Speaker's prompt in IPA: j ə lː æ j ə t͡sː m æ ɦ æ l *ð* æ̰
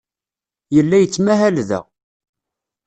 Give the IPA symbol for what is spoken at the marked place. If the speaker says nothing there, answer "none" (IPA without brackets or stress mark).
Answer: ð